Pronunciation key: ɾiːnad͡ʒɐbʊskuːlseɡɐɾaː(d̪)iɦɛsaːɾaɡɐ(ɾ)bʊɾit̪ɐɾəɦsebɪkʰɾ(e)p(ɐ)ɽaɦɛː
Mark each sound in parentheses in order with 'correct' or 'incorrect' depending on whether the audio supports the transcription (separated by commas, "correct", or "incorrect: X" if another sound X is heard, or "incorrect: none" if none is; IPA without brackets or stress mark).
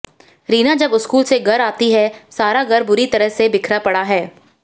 incorrect: t̪, correct, incorrect: a, correct